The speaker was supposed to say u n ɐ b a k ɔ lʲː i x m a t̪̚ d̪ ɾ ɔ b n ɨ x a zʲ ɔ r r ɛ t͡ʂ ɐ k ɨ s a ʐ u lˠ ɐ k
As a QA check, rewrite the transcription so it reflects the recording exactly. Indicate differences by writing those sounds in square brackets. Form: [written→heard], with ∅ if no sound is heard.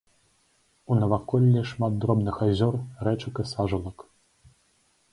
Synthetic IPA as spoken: u n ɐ [b→v] a k ɔ lʲː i [x→ʂ] m a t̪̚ d̪ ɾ ɔ b n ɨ x a zʲ ɔ r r ɛ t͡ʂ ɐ k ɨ s a ʐ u lˠ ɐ k